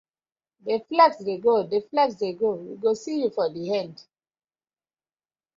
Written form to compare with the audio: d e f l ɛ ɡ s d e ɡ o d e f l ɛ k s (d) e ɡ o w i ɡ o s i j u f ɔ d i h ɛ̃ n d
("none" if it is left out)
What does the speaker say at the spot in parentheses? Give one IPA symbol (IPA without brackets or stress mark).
d